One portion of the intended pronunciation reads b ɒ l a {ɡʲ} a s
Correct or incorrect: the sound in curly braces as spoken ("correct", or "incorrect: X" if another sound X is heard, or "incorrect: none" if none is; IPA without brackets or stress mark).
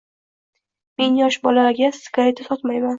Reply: correct